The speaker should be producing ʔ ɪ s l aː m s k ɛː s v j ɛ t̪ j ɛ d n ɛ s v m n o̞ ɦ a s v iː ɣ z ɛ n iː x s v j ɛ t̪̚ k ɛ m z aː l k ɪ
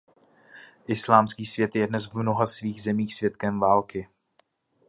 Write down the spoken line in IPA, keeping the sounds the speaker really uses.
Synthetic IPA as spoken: ʔ ɪ s l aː m s k iː s v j ɛ t̪ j ɛ d n ɛ s v m n o̞ ɦ a s v iː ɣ z ɛ m iː x s v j ɛ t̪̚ k ɛ m v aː l k ɪ